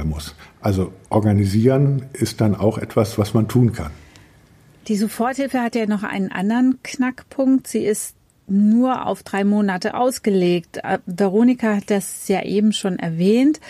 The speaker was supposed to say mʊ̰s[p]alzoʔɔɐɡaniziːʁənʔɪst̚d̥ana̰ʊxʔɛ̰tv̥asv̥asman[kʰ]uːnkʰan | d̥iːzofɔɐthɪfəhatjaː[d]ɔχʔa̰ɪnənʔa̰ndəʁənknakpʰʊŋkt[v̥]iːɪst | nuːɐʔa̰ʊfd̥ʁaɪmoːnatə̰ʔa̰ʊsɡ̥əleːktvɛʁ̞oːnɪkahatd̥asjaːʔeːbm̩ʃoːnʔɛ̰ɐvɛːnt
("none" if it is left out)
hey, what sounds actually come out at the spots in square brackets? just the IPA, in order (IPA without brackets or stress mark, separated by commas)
ʔ, tʰ, n, z̥